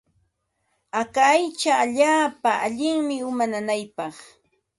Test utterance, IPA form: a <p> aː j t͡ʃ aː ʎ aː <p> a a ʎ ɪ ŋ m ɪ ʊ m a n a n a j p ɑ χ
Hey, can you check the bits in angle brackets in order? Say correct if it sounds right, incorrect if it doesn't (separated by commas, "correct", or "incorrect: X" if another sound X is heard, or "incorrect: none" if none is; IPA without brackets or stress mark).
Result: incorrect: k, correct